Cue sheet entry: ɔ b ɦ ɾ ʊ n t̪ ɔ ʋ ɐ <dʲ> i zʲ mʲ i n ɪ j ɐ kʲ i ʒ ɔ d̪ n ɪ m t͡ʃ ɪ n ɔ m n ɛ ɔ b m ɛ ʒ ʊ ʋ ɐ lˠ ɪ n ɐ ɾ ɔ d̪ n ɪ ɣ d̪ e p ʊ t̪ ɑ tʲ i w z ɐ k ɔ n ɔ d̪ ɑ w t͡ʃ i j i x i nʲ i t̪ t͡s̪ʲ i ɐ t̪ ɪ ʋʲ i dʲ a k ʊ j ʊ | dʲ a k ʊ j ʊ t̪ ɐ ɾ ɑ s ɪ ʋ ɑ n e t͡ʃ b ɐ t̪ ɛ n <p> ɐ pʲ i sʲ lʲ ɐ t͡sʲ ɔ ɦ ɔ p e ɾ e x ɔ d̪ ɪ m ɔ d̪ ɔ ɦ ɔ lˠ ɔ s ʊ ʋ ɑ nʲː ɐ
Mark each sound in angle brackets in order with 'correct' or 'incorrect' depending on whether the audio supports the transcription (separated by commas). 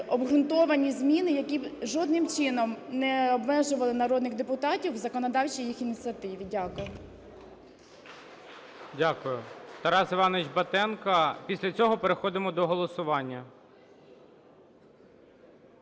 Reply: incorrect, incorrect